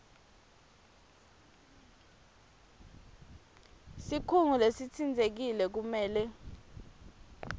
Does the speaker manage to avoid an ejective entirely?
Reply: yes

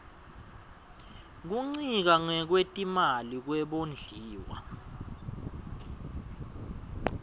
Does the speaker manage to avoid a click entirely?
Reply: no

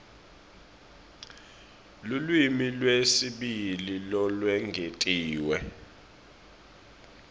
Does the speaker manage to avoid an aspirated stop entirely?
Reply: yes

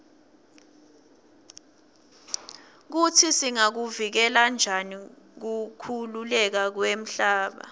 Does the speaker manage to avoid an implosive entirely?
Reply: no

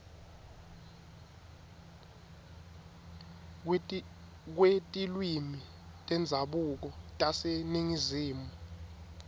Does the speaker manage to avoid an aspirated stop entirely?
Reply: yes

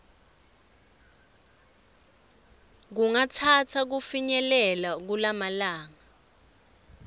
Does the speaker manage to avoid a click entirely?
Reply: yes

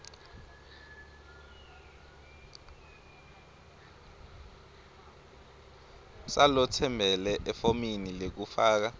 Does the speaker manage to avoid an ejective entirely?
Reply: yes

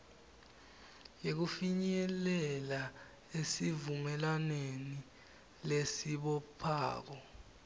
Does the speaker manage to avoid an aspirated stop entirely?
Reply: no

